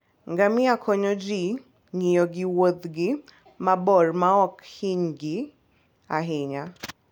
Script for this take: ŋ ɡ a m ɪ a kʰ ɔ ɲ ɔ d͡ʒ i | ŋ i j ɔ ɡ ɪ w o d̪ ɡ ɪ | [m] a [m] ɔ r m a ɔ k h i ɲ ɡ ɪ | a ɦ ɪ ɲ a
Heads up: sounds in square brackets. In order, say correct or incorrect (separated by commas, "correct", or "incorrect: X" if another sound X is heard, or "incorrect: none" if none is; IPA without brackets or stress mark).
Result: correct, incorrect: b